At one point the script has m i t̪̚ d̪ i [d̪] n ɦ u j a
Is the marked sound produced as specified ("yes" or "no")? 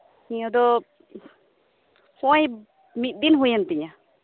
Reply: no